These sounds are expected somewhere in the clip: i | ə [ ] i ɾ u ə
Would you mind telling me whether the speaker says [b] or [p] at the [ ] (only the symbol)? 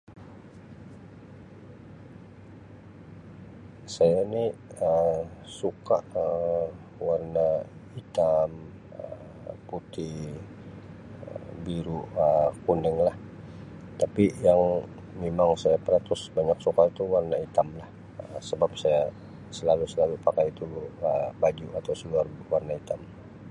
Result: b